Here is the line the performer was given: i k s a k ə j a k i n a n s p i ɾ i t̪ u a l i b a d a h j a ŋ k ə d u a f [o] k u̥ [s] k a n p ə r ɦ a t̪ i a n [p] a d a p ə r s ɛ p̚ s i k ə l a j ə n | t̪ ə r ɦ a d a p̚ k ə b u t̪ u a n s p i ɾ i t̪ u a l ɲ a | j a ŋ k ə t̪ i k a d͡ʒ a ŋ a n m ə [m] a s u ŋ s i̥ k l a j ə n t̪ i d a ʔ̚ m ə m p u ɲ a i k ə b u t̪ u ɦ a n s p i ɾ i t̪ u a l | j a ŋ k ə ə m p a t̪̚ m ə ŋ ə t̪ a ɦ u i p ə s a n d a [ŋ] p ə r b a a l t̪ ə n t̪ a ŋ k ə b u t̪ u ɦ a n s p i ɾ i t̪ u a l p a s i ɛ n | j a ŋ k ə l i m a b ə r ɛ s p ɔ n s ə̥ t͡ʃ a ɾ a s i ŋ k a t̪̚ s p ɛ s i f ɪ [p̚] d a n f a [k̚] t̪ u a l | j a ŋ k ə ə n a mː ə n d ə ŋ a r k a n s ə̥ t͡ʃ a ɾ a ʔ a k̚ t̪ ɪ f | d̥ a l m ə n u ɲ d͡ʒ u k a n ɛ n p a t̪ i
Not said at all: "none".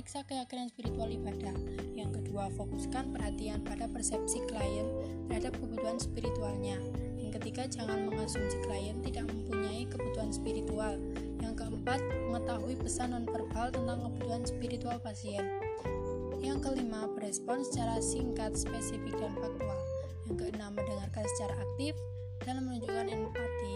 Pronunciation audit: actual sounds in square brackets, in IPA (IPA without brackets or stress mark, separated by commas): o, s, p, ŋ, n, k̚, k̚